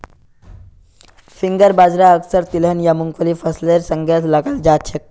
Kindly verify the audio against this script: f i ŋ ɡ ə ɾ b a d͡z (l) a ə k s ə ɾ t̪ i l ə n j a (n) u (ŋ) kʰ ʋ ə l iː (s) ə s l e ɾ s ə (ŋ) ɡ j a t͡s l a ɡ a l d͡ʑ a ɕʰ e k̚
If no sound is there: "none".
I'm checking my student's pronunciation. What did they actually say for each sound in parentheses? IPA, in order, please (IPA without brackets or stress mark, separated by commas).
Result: ɾ, m, ŋ, f, ŋ